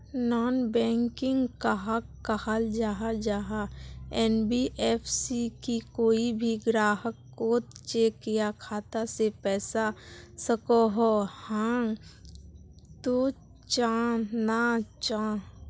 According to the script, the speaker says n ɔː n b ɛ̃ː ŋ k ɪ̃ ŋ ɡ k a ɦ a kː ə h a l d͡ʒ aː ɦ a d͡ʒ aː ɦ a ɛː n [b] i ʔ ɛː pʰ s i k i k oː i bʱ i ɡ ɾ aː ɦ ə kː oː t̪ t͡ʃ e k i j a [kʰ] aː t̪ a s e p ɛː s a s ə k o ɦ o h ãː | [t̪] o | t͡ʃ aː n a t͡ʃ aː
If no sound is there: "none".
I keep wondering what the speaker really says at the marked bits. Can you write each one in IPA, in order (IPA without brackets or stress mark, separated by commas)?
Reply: b, kʰ, t̪